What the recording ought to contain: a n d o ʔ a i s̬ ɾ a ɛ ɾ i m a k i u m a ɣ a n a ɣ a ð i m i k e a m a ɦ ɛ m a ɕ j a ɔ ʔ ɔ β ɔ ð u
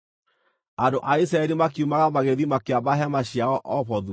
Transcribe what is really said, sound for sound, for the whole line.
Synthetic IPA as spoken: a n d o ʔ a i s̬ ɾ a ɛ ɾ i m a k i u m a ɣ a m a ɣ e ð i m a k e a b a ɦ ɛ m a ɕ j a ɔ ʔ ɔ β ɔ ð u